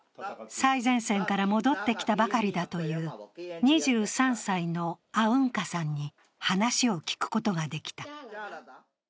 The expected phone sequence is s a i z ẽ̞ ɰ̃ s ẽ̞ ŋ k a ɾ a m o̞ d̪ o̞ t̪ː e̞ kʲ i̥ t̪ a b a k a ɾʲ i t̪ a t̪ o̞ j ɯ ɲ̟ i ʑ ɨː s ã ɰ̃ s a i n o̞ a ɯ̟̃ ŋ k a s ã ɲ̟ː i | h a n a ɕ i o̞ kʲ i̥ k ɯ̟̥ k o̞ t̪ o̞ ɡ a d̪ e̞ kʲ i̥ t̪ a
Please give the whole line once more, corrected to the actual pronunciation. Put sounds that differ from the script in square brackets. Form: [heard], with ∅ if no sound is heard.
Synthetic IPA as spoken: s a i z ẽ̞ ɰ̃ s ẽ̞ ŋ k a ɾ a m o̞ d̪ o̞ t̪ː e̞ kʲ i̥ t̪ a b a k a ɾʲ i [d̪] a t̪ o̞ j [ɯː] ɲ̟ i ʑ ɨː s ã ɰ̃ s a i n o̞ a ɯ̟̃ ŋ k a s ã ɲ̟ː i | h a n a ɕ i o̞ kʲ i̥ k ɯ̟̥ k o̞ t̪ o̞ ɡ a d̪ e̞ kʲ i̥ t̪ a